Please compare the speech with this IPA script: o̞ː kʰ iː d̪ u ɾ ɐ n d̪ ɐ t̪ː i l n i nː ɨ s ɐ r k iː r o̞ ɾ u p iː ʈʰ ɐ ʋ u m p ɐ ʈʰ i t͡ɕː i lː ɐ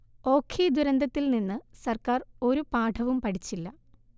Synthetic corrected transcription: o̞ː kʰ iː d̪ u ɾ ɐ n d̪ ɐ t̪ː i l n i nː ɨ s ɐ r k aː r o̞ ɾ u p aː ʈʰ ɐ ʋ u m p ɐ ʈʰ i t͡ɕː i lː ɐ

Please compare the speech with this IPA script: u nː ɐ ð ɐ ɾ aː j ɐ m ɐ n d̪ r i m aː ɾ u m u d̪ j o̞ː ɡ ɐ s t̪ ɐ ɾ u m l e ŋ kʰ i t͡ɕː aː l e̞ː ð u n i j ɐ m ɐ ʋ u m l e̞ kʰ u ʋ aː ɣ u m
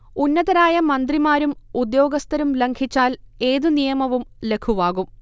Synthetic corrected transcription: u nː ɐ ð ɐ ɾ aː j ɐ m ɐ n d̪ r i m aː ɾ u m u d̪ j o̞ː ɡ ɐ s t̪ ɐ ɾ u m l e ŋ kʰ i t͡ɕː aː l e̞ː ð u n i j ɐ m ɐ ʋ u m l e̞ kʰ u ʋ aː ɣ u m

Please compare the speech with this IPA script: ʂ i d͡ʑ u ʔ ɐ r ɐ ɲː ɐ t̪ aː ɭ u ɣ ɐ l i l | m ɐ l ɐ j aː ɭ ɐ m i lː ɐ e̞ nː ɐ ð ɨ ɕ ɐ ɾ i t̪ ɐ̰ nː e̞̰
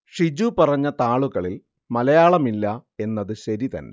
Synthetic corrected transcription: ʂ i d͡ʑ u p ɐ r ɐ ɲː ɐ t̪ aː ɭ u ɣ ɐ ɭ i l | m ɐ l ɐ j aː ɭ ɐ m i lː ɐ e̞ nː ɐ ð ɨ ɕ ɐ ɾ i t̪ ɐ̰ nː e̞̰

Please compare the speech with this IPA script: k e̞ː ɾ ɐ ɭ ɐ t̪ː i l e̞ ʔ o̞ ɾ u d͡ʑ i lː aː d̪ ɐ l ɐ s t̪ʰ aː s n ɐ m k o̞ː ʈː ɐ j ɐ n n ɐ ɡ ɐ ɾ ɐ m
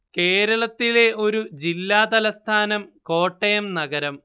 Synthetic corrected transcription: k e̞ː ɾ ɐ ɭ ɐ t̪ː i l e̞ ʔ o̞ ɾ u d͡ʑ i lː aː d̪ ɐ l ɐ s t̪ʰ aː n ɐ m k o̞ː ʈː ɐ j ɐ m n ɐ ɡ ɐ ɾ ɐ m

